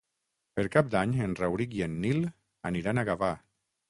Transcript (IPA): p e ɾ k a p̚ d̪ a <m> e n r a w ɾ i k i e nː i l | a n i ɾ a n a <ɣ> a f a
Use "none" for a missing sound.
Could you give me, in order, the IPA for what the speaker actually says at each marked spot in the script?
ɲ, ɣ

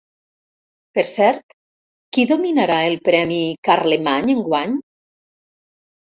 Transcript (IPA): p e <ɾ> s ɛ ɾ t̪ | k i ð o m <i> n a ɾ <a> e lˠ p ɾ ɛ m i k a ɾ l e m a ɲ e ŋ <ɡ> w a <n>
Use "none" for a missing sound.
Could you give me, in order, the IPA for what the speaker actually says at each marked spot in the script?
ɾ, i, a, ɡ, ɲ

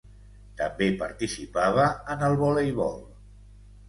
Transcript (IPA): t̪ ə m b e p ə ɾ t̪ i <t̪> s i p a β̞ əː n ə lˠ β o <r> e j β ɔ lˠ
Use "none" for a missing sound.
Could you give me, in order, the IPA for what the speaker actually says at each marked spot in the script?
none, l

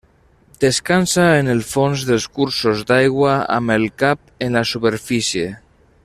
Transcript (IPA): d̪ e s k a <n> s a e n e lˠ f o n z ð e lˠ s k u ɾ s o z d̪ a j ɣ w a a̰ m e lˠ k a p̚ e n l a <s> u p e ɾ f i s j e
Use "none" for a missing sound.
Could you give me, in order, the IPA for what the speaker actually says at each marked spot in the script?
n, s

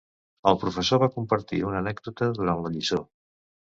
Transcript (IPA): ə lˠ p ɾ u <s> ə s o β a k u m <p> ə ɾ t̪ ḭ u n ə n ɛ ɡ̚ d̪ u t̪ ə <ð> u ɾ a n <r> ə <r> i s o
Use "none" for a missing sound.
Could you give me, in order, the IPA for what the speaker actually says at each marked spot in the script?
f, p, ð, l, ʎ

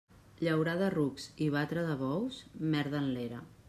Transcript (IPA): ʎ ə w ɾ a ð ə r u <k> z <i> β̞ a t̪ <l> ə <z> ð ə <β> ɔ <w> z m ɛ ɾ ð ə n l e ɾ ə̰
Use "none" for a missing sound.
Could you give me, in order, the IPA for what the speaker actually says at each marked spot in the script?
k, i, ɾ, none, β, w

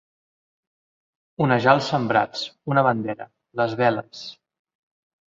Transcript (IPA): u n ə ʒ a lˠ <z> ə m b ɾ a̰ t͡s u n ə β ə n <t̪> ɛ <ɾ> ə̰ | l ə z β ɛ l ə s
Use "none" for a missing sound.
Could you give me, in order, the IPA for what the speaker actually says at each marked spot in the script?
s, d̪, ɾ

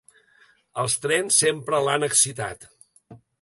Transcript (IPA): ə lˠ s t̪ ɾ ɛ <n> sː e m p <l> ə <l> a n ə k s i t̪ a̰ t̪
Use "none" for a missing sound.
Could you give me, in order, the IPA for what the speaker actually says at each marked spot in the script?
n, ɾ, l

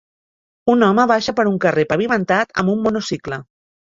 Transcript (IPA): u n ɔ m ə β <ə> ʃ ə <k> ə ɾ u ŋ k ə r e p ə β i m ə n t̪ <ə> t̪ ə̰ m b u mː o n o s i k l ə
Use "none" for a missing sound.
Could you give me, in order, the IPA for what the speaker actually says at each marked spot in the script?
a, p, a

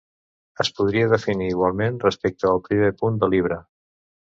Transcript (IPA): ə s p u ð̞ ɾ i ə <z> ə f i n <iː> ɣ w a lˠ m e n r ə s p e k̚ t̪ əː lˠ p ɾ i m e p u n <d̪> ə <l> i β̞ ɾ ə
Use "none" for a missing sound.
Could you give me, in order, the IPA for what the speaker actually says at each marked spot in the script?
ð, iː, d̪, l

